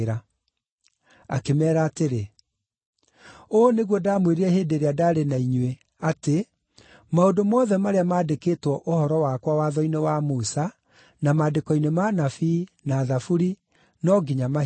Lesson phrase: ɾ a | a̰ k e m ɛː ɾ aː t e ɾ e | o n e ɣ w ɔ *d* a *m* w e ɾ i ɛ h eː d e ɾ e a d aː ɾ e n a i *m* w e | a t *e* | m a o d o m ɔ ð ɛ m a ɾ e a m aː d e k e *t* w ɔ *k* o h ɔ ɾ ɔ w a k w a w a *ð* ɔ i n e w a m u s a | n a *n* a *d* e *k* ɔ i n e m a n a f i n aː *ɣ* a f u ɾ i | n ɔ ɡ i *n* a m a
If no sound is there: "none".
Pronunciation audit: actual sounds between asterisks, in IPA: d, m, ɲ, e, t, ʔ, ð, m, d, k, ð, ɲ

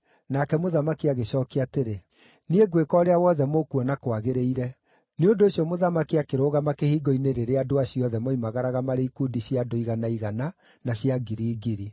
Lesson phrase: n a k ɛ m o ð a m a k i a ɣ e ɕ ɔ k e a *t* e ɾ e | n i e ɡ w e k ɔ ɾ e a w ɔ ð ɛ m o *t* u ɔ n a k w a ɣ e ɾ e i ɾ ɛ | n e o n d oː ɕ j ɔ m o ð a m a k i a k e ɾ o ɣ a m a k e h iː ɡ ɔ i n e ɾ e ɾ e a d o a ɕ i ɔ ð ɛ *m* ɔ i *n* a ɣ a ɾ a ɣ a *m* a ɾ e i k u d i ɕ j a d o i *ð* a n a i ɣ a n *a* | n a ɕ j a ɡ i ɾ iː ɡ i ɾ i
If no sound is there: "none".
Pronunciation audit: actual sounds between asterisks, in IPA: t, k, m, m, m, ɣ, a

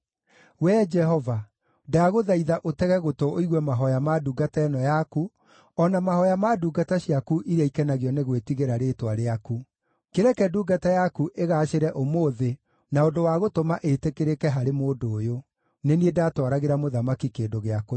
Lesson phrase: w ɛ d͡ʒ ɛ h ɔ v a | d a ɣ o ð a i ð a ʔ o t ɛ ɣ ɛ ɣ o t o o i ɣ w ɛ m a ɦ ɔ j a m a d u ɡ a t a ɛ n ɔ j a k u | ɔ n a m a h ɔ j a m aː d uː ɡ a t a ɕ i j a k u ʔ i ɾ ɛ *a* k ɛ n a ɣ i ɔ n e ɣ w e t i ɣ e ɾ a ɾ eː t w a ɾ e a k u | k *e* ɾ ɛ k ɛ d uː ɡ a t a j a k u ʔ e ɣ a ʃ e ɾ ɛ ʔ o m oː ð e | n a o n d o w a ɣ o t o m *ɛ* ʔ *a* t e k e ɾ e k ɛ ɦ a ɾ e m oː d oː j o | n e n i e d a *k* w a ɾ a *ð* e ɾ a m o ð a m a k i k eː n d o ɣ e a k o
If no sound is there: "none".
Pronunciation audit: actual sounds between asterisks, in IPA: i, e, a, e, t, ɣ

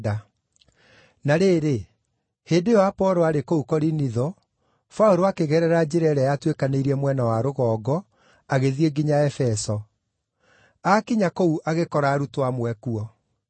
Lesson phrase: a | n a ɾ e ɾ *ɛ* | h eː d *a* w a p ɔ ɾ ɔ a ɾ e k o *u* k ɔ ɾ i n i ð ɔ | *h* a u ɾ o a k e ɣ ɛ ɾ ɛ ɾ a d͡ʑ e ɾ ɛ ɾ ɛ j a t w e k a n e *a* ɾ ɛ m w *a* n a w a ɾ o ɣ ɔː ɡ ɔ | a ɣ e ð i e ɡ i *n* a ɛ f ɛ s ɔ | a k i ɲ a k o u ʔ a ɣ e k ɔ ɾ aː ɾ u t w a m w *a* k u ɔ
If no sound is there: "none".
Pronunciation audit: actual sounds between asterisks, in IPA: e, e, u, f, i, ɛ, ɲ, ɛ

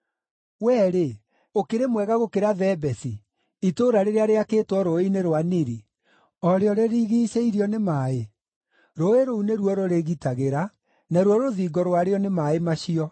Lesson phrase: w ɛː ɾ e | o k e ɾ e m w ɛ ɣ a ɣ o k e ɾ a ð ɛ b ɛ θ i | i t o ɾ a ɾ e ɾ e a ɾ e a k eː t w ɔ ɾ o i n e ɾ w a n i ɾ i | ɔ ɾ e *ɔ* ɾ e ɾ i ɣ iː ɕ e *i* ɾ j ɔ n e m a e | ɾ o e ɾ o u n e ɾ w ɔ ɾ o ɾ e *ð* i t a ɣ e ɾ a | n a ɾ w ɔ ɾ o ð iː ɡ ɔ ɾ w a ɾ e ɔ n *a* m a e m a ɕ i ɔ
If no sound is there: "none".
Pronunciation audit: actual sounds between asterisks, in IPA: ɔ, i, ɣ, e

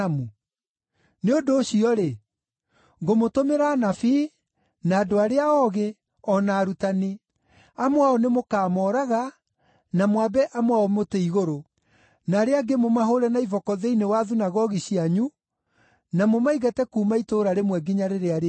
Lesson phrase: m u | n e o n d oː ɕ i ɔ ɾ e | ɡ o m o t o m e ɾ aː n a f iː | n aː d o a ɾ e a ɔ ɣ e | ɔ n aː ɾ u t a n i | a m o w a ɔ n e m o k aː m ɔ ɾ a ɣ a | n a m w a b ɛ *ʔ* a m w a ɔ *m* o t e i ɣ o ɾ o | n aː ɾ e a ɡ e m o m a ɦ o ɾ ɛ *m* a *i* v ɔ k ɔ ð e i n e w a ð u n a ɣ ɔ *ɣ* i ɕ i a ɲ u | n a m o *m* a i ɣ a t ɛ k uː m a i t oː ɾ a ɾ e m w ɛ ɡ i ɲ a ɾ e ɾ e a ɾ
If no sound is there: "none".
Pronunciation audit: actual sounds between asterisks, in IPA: ʔ, m, n, i, ɣ, m

